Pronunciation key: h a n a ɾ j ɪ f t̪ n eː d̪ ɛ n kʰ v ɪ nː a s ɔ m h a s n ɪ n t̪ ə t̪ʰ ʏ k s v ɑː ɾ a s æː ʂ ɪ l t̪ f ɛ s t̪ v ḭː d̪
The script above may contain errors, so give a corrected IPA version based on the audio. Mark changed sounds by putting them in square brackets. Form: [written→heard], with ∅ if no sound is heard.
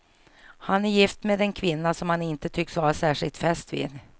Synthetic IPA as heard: h a n [a→æ] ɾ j ɪ f t̪ [n→m] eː d̪ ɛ n kʰ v ɪ nː a s ɔ m h a [s→∅] n ɪ n t̪ ə t̪ʰ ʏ k s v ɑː ɾ a s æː ʂ ɪ l t̪ f ɛ s t̪ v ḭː d̪